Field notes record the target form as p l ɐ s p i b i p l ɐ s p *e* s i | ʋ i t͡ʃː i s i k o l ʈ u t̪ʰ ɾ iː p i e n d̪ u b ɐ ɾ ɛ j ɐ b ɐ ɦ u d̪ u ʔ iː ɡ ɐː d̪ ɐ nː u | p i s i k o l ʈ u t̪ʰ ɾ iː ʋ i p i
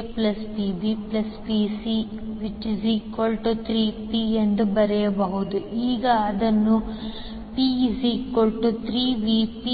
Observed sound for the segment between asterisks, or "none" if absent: i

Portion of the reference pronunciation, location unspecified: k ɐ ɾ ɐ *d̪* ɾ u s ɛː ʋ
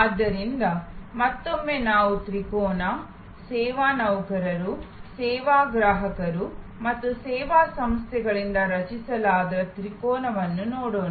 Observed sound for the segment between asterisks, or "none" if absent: none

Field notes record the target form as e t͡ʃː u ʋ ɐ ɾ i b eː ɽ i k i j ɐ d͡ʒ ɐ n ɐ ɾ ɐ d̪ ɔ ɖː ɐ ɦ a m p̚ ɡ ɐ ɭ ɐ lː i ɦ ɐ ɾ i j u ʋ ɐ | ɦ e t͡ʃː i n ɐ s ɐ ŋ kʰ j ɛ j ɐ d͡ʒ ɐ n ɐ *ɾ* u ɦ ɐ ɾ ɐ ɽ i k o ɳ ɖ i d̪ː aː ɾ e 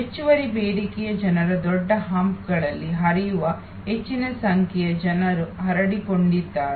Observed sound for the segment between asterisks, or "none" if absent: ɾ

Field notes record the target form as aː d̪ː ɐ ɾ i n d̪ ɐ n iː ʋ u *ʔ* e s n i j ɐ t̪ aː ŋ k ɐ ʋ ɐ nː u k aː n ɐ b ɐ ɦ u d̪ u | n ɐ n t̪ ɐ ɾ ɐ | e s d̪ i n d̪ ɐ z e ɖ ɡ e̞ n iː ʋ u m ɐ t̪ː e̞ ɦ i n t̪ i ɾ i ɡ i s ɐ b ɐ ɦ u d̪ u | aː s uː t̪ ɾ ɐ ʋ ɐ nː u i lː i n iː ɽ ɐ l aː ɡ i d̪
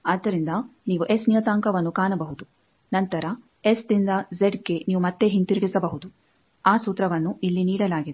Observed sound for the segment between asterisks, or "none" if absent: ʔ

